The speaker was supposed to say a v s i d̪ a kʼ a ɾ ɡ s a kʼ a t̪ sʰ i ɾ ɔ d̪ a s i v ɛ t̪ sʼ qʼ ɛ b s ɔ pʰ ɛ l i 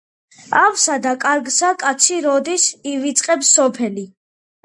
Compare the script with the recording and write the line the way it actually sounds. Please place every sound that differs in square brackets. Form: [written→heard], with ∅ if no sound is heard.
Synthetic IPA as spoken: a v s [i→a] d̪ a kʼ a ɾ ɡ s a kʼ a t̪ sʰ i ɾ ɔ d̪ [a→i] s i v [ɛ→i] t̪ sʼ qʼ ɛ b s ɔ pʰ ɛ l i